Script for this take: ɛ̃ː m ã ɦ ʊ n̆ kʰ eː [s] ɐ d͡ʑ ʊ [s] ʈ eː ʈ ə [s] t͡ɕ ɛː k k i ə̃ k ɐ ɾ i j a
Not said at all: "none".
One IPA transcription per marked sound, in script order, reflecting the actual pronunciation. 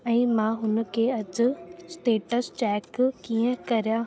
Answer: none, s, s

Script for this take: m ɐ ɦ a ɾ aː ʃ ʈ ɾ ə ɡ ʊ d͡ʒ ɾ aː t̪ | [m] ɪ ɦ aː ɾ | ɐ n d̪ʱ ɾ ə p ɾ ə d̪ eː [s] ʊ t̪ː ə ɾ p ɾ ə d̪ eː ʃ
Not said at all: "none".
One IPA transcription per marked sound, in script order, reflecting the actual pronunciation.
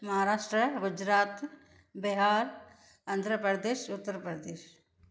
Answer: b, ʃ

